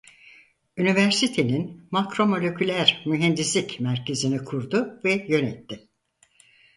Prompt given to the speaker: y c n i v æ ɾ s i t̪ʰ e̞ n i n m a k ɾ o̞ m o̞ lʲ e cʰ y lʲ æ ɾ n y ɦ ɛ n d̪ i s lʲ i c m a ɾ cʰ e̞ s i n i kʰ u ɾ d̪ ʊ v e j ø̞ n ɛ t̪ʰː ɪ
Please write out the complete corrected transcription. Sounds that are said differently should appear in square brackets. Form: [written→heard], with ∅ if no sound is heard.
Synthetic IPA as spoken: y [c→∅] n i v æ ɾ s i t̪ʰ e̞ n i n m a k ɾ o̞ m o̞ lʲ e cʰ y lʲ æ ɾ [n→m] y ɦ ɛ n d̪ i s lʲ i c m [a→æ] ɾ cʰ e̞ [s→z] i n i kʰ u ɾ d̪ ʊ v [e→ɛ] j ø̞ n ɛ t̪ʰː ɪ